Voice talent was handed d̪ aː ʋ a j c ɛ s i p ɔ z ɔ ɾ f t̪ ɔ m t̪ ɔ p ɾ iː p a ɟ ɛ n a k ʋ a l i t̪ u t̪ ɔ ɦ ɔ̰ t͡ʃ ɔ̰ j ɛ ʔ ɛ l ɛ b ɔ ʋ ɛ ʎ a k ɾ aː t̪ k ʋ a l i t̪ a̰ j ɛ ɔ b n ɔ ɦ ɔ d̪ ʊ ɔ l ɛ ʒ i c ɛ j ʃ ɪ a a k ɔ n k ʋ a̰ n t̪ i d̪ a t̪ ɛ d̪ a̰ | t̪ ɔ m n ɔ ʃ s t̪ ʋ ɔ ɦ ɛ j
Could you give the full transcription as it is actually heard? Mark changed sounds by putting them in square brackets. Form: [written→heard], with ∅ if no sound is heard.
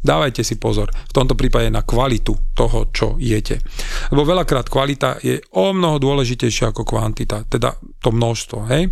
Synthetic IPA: d̪ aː ʋ a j c ɛ s i p ɔ z ɔ ɾ f t̪ ɔ m t̪ ɔ p ɾ iː p a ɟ ɛ n a k ʋ a l i t̪ u t̪ ɔ ɦ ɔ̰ t͡ʃ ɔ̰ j ɛ [ʔ→c] ɛ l ɛ b ɔ ʋ ɛ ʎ a k ɾ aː t̪ k ʋ a l i t̪ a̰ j ɛ ɔ [b→m] n ɔ ɦ ɔ d̪ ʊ ɔ l ɛ ʒ i c ɛ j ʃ ɪ a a k ɔ [n→∅] k ʋ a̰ n t̪ i [d̪→t̪] a t̪ ɛ d̪ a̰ | t̪ ɔ m n ɔ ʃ s t̪ ʋ ɔ ɦ ɛ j